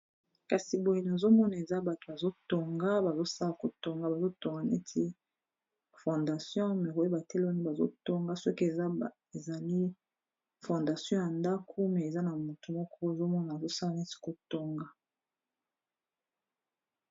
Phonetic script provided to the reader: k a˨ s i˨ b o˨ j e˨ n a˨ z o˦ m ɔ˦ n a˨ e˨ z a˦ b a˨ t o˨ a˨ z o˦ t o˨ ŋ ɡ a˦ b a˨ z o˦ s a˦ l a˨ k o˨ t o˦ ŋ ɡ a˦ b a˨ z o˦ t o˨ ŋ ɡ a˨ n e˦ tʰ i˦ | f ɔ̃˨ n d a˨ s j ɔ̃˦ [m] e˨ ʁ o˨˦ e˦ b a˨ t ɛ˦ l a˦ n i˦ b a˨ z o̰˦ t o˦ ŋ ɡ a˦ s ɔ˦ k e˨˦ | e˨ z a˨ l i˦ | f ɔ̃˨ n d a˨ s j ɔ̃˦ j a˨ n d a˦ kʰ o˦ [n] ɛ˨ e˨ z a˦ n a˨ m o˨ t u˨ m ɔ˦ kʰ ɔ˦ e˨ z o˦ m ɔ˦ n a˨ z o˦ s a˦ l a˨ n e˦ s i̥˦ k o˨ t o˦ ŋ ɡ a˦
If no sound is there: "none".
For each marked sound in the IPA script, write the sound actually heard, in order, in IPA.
m, m

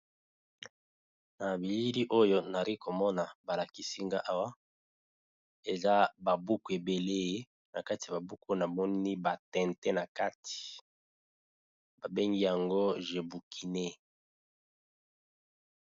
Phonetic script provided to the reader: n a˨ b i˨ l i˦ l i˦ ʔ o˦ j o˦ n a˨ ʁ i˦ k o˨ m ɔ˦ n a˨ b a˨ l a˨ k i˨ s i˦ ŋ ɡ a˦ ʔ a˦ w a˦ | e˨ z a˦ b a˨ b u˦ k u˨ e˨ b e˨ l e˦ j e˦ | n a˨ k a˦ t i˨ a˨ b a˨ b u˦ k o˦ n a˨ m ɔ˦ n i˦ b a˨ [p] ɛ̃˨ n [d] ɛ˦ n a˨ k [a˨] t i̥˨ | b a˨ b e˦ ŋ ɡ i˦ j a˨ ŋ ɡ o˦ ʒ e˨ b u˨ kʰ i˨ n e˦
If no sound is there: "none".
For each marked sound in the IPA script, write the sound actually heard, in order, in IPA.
t, t, a˦

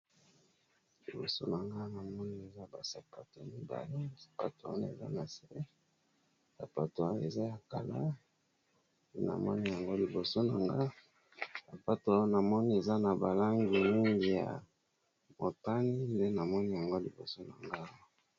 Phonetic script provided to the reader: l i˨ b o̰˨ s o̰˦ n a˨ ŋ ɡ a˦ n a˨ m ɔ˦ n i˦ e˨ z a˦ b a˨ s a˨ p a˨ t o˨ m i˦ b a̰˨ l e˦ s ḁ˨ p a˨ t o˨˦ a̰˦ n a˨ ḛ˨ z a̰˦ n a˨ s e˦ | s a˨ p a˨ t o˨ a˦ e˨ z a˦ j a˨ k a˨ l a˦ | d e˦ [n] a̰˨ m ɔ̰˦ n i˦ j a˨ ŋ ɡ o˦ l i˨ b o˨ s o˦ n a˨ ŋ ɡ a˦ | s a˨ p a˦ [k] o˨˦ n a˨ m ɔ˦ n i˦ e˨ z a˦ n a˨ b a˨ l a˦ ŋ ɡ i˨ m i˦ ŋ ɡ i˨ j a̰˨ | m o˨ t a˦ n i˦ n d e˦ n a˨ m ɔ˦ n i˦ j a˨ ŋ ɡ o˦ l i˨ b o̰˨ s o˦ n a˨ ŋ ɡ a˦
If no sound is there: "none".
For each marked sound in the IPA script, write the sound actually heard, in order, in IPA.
n, t

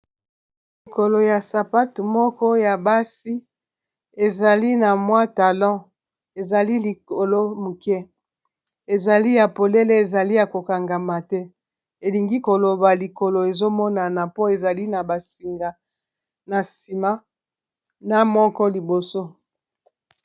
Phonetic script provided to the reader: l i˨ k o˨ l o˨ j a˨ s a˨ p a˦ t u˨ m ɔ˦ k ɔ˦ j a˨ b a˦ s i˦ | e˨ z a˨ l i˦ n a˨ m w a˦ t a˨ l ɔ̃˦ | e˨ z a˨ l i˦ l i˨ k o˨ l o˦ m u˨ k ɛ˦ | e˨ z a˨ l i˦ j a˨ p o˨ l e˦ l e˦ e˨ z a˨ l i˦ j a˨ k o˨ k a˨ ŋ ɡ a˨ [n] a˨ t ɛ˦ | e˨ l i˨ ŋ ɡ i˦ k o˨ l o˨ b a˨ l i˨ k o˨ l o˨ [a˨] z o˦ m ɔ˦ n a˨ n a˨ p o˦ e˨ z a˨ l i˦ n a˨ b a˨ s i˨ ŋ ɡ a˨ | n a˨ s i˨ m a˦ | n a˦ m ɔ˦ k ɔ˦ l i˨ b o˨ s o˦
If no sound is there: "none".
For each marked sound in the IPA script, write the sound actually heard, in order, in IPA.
m, e˨

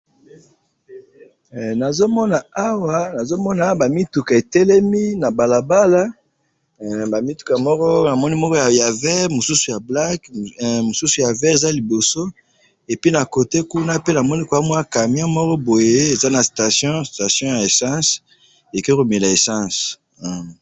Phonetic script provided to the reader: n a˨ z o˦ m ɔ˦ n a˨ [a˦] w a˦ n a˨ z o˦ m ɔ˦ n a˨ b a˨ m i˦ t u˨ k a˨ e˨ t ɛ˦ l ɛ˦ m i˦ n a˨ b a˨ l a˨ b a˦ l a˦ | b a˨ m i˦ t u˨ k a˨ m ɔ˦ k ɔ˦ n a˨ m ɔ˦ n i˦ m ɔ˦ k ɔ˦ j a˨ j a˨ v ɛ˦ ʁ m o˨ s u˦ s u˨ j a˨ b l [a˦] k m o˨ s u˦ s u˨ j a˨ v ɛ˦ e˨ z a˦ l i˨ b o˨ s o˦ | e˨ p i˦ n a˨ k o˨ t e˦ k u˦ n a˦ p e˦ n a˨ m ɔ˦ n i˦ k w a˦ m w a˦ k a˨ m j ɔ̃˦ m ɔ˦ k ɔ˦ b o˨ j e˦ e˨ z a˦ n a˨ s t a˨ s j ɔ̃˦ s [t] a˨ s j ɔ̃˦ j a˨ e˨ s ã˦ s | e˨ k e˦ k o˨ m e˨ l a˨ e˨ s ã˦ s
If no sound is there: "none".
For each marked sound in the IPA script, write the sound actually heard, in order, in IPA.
a˦, a˦, t

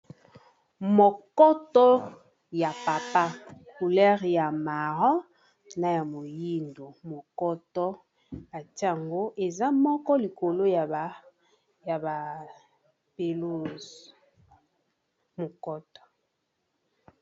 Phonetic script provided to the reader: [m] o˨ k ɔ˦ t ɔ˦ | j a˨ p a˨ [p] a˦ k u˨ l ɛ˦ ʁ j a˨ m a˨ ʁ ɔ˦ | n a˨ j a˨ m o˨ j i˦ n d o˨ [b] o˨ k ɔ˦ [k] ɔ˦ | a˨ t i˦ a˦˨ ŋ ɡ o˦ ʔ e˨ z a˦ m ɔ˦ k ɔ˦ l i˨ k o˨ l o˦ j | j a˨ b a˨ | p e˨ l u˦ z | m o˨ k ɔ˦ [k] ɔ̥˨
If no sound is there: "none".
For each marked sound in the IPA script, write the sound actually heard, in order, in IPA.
m, p, m, t, t

